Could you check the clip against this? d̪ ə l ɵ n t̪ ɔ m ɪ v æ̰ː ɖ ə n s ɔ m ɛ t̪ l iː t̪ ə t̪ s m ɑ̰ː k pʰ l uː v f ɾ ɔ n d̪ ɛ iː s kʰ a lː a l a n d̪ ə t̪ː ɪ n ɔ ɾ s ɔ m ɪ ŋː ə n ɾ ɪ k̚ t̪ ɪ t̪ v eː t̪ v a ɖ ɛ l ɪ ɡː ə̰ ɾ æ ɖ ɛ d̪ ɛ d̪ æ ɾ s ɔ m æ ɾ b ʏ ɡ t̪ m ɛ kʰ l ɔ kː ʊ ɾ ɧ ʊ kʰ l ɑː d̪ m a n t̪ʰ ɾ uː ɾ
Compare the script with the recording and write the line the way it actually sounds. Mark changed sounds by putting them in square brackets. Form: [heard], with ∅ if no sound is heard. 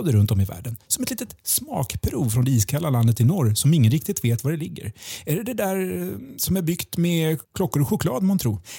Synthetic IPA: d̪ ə [ɾ] ɵ n t̪ ɔ m ɪ v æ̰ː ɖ ə n s ɔ m ɛ t̪ l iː t̪ ə t̪ s m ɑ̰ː k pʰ [ɾ] uː v f ɾ ɔ n d̪ ɛ iː s kʰ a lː a l a n d̪ ə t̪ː ɪ n ɔ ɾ s ɔ m ɪ ŋː ə n ɾ ɪ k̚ t̪ ɪ t̪ v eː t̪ v a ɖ ɛ l ɪ ɡː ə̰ ɾ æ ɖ ɛ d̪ ɛ d̪ æ ɾ s ɔ m æ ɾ b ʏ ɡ t̪ m ɛ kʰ l ɔ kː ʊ ɾ ɧ ʊ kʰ l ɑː d̪ m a n t̪ʰ ɾ uː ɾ